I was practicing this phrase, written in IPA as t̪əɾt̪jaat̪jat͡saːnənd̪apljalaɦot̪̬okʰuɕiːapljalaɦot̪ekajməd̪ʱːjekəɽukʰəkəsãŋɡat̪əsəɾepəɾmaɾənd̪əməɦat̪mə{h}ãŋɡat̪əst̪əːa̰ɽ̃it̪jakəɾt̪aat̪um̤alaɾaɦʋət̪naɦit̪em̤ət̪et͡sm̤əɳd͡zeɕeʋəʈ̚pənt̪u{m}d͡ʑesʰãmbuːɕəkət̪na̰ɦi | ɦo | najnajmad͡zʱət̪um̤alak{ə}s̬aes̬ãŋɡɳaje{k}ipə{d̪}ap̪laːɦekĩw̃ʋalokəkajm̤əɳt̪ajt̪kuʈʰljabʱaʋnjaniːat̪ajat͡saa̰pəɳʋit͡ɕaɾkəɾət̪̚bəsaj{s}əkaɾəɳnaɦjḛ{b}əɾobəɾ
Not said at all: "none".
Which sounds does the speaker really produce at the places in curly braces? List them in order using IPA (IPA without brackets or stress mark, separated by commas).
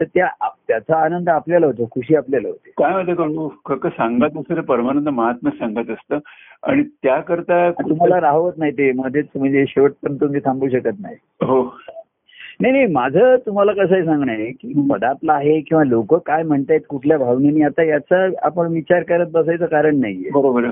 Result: s, m, ə, k, d̪, t͡s, b